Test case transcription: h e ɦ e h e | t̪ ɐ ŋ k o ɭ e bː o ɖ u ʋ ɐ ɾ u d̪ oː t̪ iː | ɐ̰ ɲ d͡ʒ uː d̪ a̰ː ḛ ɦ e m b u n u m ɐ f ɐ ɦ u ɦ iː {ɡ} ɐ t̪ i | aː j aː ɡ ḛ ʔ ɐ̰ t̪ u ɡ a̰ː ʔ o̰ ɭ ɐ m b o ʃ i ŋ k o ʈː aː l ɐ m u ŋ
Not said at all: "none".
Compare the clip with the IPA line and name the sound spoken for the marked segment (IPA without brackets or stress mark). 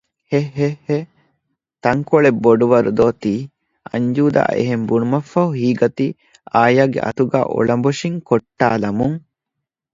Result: ɡ